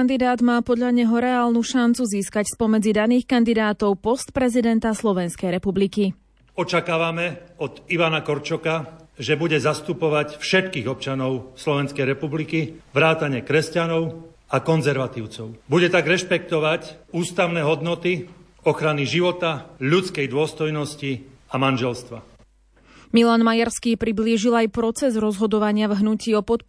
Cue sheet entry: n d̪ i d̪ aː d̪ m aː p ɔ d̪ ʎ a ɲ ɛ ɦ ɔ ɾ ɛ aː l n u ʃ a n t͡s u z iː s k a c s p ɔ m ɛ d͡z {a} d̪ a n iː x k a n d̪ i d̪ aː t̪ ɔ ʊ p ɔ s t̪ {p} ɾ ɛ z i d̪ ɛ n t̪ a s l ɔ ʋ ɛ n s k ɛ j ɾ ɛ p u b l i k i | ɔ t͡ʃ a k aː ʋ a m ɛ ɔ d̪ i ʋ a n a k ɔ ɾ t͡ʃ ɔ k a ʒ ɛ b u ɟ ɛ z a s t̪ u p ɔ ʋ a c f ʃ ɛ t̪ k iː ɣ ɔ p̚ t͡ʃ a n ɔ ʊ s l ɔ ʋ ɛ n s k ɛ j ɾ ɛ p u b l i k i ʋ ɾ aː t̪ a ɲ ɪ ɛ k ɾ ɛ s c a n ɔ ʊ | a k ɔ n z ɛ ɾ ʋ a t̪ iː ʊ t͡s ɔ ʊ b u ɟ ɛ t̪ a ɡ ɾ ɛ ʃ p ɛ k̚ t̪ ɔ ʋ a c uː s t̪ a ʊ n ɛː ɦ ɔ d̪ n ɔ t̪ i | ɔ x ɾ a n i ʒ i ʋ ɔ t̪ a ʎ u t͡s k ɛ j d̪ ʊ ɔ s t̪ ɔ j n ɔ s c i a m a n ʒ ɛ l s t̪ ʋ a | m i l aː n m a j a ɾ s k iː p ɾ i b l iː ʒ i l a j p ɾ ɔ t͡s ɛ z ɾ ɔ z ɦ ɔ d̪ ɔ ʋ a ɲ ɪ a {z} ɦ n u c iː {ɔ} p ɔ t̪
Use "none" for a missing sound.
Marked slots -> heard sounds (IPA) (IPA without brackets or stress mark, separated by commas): i, p, v, ɔ